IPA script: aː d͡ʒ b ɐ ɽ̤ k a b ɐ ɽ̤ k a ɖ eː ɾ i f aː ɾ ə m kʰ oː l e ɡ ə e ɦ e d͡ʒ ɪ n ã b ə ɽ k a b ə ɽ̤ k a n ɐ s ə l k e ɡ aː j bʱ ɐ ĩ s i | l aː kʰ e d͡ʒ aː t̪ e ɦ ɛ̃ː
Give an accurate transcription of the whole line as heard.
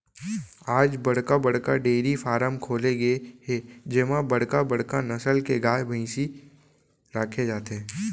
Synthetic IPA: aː d͡ʒ b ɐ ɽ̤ k a b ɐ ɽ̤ k a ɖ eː ɾ i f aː ɾ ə m kʰ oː l e ɡ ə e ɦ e d͡ʒ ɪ m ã b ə ɽ k a b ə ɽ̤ k a n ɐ s ə l k e ɡ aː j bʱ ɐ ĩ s i | ɾ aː kʰ e d͡ʒ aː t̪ e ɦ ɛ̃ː

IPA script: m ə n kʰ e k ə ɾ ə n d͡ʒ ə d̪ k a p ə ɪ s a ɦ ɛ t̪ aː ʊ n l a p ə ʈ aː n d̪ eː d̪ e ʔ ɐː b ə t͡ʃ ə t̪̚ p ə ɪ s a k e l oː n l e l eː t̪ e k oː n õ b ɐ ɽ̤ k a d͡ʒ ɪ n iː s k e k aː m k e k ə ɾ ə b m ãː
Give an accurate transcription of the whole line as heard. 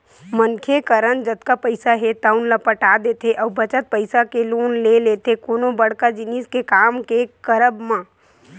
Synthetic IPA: m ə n kʰ e k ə ɾ ə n d͡ʒ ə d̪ k a p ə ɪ s a ɦ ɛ t̪ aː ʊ n l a p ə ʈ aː d̪ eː t̪ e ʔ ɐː b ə t͡ʃ ə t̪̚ p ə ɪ s a k e l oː n l e l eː t̪ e k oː n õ b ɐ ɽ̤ k a d͡ʒ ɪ n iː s k e k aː m k e k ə ɾ ə b m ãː

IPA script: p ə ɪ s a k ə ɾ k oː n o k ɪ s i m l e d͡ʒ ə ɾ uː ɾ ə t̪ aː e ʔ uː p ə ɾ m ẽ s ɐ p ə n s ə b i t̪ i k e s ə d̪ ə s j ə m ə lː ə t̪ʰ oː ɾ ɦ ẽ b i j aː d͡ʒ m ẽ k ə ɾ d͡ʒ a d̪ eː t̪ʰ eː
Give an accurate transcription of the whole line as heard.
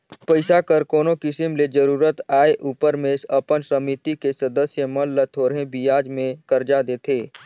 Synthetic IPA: p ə ɪ s a k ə ɾ k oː n o k ɪ s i m l e d͡ʒ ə ɾ uː ɾ ə t̪ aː e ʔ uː p ə ɾ m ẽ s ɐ p ə n s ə m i t̪ i k e s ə d̪ ə s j ə m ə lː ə t̪ʰ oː ɾ ɦ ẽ b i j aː d͡ʒ m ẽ k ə ɾ d͡ʒ a d̪ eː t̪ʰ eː

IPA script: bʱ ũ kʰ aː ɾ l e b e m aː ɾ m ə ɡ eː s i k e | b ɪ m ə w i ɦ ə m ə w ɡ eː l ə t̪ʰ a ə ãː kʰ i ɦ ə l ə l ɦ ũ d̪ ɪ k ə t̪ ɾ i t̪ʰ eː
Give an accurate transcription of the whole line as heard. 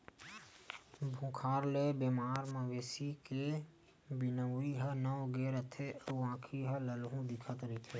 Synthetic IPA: bʱ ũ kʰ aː ɾ l e b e m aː ɾ m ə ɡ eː s i k e | b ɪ n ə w i ɦ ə n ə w ɡ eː ɾ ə t̪ʰ e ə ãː kʰ i ɦ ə l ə l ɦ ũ d̪ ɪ kʰ ə t̪ ɾ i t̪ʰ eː

